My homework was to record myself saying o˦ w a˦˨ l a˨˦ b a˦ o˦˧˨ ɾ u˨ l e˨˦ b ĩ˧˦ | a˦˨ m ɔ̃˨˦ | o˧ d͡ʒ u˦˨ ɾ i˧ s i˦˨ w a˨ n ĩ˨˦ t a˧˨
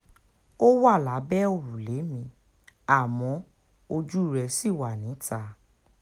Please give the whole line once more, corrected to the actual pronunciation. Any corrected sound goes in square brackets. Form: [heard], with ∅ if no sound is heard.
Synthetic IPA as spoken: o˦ w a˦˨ l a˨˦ b [ɛ˦] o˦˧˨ ɾ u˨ l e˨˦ [m] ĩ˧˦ | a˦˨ m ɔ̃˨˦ | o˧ d͡ʒ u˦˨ ɾ [ɛ˧] s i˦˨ w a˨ n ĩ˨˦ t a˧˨